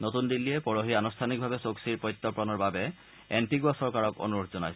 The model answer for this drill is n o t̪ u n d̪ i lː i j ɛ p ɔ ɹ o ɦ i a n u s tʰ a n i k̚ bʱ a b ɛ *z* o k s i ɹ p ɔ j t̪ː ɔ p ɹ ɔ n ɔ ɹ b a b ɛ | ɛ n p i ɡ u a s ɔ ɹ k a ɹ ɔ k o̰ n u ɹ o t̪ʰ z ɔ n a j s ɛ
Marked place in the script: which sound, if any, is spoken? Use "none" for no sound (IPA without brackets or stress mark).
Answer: s